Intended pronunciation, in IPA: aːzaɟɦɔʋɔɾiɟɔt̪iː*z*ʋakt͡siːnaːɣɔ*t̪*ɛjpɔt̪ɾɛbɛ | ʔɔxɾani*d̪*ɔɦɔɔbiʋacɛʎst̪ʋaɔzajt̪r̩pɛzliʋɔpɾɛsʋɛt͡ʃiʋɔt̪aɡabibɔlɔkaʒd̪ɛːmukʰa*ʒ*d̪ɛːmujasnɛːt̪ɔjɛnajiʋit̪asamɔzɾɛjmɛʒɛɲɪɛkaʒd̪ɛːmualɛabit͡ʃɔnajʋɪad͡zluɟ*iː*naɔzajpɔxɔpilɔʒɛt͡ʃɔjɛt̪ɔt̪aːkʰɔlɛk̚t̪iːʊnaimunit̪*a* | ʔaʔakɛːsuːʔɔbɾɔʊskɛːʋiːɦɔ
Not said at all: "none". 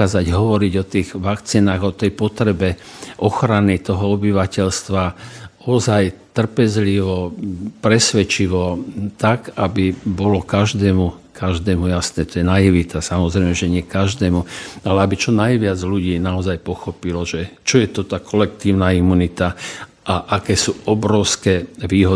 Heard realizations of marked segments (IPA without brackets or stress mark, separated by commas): ɣ, t̪, t̪, ʒ, iː, a